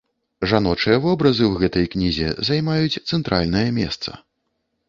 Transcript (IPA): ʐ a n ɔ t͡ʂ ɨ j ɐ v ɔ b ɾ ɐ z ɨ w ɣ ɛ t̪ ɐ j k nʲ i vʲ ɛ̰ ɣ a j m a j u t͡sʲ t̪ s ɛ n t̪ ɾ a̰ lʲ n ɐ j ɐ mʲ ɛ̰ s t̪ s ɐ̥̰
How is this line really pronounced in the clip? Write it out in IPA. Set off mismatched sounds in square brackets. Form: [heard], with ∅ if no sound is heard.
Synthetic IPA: ʐ a n ɔ t͡ʂ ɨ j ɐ v ɔ b ɾ ɐ z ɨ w ɣ ɛ t̪ ɐ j k nʲ i [zʲ] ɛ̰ [z] a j m a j u t͡sʲ t̪ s ɛ n t̪ ɾ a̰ lʲ n ɐ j ɐ mʲ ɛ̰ s t̪ s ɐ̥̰